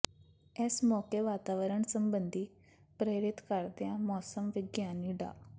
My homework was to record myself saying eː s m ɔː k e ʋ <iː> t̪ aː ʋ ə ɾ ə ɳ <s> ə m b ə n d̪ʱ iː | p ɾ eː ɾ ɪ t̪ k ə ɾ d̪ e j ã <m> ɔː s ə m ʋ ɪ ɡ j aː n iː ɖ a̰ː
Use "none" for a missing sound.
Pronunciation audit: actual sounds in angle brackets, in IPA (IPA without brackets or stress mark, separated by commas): aː, s, m